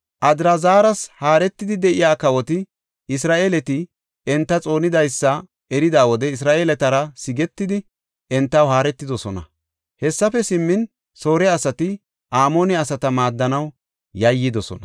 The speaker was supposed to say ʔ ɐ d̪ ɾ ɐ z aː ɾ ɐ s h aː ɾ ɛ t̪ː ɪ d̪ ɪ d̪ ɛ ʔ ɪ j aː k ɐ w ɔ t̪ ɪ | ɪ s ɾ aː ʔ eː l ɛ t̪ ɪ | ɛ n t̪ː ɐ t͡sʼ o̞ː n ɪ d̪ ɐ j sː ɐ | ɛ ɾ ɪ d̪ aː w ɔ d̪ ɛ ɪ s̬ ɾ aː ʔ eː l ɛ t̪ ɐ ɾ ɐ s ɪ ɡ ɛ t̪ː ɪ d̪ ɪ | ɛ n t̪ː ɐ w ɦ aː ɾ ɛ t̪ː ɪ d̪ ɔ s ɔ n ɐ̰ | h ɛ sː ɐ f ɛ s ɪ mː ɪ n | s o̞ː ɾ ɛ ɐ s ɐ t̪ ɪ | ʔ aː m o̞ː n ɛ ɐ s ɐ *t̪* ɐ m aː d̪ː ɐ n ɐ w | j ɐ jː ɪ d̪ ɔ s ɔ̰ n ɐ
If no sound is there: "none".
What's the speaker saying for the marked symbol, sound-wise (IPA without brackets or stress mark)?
t̪